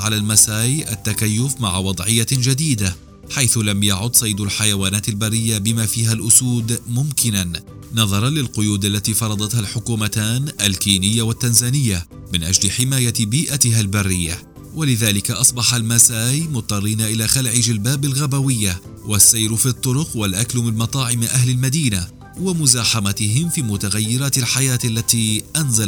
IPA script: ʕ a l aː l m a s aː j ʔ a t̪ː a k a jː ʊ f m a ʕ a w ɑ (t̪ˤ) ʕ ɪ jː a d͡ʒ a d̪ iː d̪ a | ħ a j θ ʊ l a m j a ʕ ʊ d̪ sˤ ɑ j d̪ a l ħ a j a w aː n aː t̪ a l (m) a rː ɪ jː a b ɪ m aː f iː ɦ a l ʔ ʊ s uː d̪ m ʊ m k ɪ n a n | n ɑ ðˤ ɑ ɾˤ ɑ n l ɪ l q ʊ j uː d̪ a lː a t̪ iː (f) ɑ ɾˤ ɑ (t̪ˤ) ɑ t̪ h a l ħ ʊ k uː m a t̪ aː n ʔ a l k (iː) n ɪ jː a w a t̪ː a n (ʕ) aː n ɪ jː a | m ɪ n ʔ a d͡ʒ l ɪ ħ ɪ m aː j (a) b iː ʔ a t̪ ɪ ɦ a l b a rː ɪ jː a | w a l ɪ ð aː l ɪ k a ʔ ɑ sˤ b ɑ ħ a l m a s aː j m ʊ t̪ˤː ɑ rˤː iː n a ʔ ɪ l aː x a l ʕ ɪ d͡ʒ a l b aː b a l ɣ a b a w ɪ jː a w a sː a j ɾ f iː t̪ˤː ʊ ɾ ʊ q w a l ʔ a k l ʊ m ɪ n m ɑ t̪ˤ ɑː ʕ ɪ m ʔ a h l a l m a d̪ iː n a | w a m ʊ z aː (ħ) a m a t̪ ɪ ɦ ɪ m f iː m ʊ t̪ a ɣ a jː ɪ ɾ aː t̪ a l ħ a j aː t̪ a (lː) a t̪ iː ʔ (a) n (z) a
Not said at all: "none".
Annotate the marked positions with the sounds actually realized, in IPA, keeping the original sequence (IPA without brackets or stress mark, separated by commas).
d̪ˤ, b, f, d̪ˤ, iː, z, a, ħ, lː, a, z